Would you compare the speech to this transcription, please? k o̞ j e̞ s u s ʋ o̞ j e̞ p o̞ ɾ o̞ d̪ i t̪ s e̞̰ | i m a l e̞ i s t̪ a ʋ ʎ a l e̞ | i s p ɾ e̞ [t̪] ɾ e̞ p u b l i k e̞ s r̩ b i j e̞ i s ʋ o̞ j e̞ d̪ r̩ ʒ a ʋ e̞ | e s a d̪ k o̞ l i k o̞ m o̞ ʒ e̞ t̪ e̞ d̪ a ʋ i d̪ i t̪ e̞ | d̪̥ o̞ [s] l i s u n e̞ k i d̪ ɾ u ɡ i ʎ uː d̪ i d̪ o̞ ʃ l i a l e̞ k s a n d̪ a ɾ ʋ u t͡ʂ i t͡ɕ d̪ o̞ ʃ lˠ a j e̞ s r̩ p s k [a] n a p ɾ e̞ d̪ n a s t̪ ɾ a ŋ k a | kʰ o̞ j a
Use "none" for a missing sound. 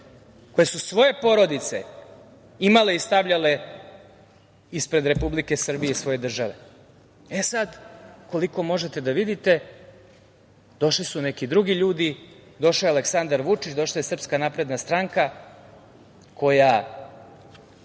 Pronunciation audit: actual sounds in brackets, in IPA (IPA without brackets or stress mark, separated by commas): d̪, ʃ, a